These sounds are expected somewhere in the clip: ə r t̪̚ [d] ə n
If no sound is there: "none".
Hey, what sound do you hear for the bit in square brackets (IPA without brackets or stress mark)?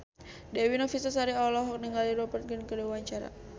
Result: ɡ